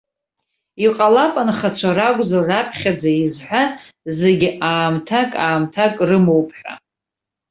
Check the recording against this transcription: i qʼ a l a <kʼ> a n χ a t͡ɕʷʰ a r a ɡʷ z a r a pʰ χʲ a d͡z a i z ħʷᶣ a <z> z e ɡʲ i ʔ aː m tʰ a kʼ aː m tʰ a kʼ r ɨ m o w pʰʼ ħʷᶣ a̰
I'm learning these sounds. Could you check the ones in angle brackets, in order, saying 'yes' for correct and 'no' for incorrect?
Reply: no, yes

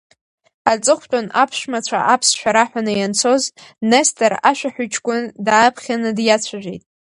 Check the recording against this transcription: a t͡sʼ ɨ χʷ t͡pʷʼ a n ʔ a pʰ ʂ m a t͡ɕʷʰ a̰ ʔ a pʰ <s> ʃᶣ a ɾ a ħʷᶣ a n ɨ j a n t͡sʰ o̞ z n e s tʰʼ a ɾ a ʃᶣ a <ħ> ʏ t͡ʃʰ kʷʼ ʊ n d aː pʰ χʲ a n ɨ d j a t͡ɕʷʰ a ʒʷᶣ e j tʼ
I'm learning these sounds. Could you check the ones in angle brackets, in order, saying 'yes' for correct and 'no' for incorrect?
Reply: yes, yes

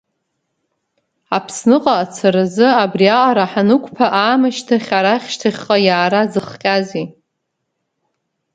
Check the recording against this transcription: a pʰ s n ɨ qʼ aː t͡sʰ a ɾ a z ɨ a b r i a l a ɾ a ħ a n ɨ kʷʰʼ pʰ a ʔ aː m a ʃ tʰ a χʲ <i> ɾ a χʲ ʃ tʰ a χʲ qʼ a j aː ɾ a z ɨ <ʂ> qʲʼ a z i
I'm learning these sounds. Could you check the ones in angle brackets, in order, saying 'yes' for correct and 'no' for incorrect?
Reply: no, no

